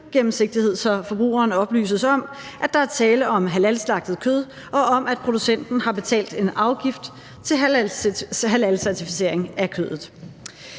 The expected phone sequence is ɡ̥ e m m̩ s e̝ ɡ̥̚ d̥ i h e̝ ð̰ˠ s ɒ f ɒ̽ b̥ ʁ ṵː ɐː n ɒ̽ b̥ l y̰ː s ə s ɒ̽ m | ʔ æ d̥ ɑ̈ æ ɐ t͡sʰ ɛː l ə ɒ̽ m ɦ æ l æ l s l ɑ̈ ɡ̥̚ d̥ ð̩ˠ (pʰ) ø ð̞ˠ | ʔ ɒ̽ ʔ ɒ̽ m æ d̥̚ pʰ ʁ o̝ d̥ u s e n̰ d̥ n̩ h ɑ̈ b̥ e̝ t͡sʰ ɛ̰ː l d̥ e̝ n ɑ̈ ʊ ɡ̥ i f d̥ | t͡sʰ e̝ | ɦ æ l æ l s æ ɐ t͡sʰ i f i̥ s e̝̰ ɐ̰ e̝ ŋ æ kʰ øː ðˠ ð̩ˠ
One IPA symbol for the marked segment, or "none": kʰ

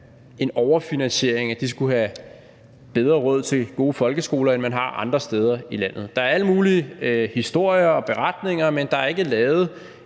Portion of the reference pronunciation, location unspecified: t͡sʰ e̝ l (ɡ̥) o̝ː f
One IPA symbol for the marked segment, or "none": ɡ̥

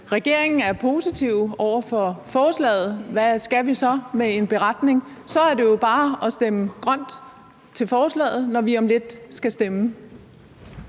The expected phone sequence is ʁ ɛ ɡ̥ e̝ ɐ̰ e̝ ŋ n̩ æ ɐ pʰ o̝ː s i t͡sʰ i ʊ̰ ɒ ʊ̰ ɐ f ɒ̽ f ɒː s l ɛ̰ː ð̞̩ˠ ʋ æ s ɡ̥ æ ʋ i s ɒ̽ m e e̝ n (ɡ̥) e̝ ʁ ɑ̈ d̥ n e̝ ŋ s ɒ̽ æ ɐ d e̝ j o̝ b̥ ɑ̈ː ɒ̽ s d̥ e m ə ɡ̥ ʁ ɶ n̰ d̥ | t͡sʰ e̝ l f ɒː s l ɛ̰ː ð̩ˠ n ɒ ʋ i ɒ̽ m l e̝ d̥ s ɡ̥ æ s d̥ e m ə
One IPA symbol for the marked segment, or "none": b̥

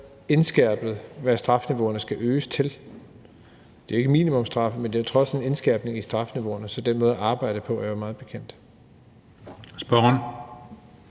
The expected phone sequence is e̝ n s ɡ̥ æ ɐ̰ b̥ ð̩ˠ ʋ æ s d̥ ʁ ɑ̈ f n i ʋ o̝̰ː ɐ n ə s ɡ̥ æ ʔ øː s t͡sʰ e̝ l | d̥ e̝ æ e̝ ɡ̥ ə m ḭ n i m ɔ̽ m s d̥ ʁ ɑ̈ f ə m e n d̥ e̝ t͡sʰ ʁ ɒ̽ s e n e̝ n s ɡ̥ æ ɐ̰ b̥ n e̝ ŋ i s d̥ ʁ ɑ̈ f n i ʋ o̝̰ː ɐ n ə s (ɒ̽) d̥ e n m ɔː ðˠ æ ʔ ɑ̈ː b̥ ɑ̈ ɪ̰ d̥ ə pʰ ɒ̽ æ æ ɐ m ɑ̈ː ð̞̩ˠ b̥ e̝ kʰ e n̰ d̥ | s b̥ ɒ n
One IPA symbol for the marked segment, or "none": ɒ̽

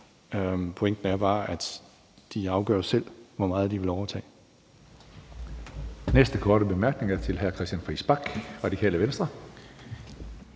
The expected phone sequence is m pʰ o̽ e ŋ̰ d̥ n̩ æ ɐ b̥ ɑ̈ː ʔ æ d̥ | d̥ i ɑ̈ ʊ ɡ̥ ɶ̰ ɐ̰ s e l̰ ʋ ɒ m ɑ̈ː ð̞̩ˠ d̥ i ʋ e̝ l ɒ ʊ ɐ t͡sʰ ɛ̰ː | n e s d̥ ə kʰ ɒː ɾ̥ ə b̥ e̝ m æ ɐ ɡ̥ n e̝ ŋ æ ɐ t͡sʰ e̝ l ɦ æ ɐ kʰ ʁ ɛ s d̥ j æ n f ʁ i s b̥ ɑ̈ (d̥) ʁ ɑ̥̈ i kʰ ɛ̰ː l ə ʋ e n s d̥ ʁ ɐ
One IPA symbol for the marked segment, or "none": ɡ̥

